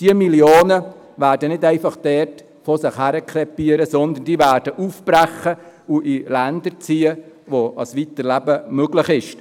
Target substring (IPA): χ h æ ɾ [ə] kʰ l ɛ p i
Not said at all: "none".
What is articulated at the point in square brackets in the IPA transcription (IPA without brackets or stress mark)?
ə